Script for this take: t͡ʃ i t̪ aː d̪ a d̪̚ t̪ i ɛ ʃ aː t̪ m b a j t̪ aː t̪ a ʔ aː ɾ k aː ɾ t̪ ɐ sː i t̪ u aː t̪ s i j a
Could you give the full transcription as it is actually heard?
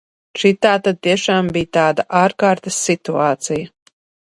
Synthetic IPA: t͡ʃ i t̪ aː t̪ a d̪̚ t̪ i ɛ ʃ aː m b i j t̪ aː d̪ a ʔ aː ɾ k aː ɾ t̪ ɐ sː i t̪ u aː t̪ s i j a